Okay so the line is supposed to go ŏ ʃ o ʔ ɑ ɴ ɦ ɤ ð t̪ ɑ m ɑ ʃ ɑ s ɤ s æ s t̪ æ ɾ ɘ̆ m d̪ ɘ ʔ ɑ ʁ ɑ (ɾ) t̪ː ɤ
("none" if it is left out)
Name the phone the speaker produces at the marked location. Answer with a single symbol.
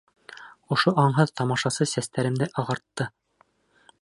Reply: ɾ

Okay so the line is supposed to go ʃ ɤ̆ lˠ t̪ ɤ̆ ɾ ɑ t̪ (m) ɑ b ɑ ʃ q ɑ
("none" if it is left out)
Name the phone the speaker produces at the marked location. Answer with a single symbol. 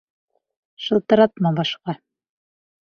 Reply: m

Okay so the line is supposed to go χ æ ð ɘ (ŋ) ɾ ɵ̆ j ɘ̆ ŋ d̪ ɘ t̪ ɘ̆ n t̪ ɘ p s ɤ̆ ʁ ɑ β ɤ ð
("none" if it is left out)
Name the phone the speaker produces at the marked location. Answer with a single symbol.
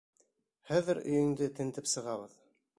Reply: none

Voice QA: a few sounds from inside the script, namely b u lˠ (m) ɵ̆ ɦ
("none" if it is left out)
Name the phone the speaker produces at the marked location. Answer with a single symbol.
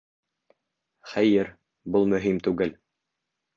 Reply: m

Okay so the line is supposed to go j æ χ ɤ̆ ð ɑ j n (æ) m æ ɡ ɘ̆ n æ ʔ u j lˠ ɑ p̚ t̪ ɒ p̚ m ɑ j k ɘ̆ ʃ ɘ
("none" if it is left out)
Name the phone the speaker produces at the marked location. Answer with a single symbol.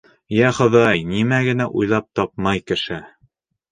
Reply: i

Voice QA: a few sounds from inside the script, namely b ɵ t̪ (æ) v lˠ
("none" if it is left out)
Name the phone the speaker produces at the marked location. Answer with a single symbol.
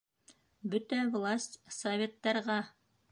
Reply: æ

